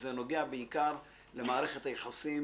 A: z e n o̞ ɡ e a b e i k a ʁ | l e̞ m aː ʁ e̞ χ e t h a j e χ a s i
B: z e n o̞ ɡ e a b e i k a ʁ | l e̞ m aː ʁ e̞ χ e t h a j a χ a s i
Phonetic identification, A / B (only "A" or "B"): A